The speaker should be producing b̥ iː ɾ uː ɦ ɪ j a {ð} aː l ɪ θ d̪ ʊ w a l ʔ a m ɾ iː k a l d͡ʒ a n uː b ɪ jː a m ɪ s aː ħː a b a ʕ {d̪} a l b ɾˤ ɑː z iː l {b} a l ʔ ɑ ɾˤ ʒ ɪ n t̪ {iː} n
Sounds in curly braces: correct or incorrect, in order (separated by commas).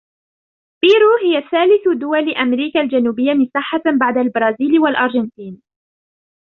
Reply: incorrect, correct, incorrect, correct